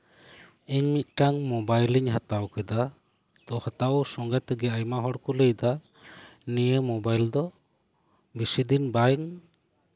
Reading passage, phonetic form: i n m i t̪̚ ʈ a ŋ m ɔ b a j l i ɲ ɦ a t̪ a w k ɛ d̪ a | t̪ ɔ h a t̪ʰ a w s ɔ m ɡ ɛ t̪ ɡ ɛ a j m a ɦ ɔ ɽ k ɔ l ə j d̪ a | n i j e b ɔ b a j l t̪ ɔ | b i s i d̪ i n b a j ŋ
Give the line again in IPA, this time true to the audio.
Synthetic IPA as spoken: i ɲ m i t̪̚ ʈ a ŋ m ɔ b a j l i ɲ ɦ a t̪ a w k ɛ d̪ a | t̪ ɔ h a t̪ a w s ɔ ŋ ɡ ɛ t̪ ɡ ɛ a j m a ɦ ɔ ɽ k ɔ l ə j d̪ a | n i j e m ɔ b a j l d̪ ɔ | b i s i d̪ i n b a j ŋ